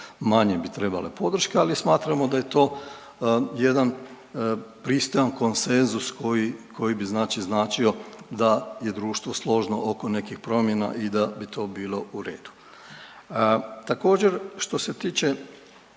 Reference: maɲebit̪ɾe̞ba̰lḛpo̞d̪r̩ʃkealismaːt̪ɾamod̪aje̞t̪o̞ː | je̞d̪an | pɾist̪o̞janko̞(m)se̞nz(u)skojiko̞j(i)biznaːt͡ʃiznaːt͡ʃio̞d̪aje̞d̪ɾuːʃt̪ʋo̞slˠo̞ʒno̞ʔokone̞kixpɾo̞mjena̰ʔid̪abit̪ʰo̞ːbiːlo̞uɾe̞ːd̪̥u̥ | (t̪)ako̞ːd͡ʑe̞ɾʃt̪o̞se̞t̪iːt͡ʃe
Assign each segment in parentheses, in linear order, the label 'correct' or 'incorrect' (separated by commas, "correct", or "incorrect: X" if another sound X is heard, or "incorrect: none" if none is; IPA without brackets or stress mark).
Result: incorrect: n, correct, correct, correct